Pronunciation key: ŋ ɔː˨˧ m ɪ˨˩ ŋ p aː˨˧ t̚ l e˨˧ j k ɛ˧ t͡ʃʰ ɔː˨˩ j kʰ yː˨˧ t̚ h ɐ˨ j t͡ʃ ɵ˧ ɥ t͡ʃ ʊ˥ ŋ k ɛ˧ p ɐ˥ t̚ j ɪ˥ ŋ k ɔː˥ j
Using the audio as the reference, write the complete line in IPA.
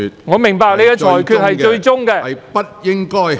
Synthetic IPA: ŋ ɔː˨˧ m ɪ˨˩ ŋ p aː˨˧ k̚ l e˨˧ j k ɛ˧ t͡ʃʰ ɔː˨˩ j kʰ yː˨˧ t̚ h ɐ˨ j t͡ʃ ɵ˧ ɥ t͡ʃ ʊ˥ ŋ k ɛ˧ p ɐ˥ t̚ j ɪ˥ ŋ k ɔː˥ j